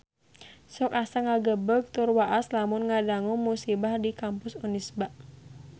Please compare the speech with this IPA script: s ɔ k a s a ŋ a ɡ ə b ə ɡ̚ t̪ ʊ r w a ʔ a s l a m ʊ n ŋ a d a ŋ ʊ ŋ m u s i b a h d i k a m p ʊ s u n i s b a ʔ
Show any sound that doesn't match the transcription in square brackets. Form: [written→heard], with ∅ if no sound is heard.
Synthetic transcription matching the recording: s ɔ k a s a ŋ a ɡ ə b ə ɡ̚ t̪ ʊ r w a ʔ a s l a m ʊ n ŋ a d a ŋ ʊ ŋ m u s i b a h d i k a m p ʊ s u n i s b a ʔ